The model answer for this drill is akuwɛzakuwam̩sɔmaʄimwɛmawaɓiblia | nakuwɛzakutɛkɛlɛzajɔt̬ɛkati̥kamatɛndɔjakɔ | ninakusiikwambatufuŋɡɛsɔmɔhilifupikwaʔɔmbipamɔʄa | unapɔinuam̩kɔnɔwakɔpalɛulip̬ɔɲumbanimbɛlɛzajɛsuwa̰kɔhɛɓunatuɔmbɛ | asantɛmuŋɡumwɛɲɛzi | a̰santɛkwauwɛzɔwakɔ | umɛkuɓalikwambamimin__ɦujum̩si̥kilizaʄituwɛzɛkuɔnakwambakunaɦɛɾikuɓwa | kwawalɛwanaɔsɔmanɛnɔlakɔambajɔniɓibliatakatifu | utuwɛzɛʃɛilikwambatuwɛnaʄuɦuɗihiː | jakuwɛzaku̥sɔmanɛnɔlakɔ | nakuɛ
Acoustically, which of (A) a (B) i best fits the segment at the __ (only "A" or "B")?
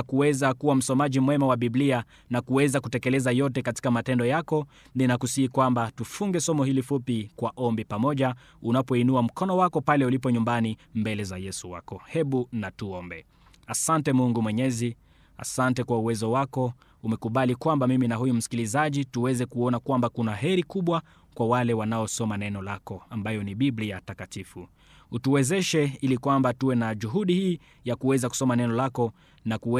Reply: A